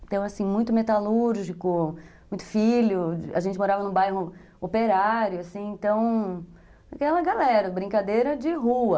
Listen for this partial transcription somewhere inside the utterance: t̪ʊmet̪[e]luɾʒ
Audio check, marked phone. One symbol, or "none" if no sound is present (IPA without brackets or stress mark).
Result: a